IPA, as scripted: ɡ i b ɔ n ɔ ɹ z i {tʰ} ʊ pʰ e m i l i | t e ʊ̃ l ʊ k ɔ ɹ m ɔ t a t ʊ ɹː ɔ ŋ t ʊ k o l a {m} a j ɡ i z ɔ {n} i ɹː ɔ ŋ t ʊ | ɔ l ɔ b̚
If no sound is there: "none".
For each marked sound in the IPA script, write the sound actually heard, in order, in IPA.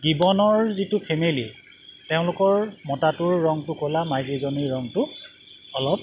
t, m, n

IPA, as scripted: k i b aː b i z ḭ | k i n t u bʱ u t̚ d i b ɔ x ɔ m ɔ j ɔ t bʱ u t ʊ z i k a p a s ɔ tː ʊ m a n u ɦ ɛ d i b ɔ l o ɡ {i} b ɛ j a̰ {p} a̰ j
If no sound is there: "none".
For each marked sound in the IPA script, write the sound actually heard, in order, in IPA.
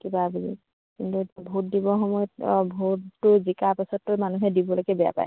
ɛ, p

